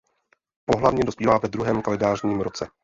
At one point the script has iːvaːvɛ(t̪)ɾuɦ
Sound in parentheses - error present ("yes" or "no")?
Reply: yes